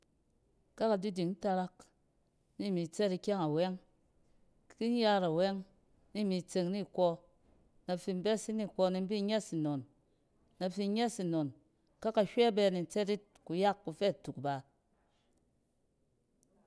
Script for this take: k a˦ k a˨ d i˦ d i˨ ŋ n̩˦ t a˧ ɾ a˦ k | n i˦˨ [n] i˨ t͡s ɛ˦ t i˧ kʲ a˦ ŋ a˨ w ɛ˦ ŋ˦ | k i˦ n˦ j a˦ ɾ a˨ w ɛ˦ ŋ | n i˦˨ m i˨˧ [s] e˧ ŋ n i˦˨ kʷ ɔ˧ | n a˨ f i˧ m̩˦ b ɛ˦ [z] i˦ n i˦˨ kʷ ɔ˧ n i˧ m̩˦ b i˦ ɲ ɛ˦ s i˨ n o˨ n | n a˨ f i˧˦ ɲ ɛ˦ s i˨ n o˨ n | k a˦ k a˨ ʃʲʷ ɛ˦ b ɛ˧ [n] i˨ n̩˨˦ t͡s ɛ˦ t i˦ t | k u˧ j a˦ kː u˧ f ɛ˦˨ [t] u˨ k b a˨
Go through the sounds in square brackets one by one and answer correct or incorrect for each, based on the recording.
incorrect, incorrect, incorrect, correct, correct

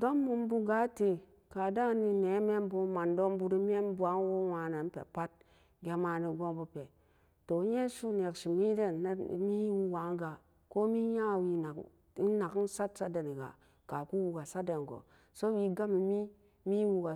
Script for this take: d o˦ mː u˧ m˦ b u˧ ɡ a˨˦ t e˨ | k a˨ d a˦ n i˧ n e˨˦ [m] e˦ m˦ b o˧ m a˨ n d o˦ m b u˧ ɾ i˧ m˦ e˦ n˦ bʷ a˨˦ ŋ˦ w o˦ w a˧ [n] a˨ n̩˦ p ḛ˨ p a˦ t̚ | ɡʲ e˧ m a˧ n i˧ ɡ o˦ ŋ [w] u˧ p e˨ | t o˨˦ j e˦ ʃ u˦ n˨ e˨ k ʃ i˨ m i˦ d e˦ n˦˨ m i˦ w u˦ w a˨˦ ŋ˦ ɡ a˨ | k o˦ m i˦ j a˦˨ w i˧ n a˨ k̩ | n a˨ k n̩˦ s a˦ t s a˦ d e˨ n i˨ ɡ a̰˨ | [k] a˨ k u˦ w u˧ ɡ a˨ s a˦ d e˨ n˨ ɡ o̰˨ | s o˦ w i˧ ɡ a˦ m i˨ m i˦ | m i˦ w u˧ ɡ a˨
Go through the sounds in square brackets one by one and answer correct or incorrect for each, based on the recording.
correct, correct, incorrect, correct

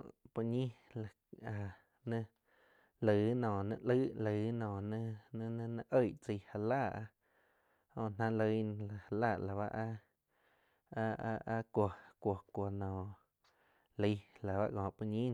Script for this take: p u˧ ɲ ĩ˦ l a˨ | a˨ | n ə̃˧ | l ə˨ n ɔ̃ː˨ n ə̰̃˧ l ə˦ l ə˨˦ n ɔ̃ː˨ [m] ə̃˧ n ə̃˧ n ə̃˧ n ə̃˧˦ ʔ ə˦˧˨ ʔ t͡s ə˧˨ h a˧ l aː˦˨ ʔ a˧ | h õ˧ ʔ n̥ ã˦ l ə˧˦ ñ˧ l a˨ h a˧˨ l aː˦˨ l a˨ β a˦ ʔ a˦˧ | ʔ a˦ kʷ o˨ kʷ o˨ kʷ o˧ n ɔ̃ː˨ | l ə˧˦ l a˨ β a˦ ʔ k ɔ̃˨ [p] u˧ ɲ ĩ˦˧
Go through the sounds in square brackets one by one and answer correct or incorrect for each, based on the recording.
incorrect, correct

